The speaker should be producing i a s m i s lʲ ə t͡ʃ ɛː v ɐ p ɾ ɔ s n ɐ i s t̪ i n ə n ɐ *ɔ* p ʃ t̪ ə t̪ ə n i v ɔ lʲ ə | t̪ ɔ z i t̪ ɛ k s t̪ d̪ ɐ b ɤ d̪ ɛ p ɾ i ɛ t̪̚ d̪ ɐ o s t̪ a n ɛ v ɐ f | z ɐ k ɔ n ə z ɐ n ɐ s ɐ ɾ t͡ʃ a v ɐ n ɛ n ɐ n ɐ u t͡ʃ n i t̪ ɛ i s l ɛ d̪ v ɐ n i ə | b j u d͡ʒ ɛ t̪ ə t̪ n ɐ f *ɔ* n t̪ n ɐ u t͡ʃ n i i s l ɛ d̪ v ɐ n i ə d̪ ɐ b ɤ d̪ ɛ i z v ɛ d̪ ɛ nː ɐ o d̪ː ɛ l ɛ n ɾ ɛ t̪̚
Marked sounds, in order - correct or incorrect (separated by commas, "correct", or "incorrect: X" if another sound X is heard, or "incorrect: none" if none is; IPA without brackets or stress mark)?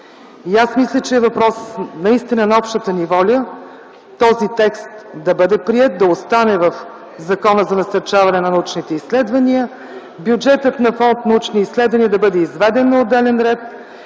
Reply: correct, correct